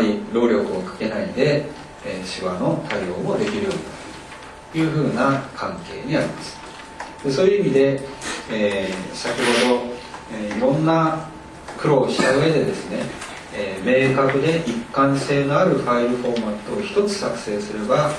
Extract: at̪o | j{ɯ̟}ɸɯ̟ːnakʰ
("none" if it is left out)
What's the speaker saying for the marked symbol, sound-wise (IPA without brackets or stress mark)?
ɯ̟ː